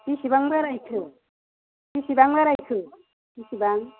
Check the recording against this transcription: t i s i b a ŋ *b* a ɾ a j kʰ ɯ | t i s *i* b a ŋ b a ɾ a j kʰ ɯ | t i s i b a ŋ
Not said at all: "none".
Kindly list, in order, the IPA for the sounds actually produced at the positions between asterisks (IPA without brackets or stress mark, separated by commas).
b, i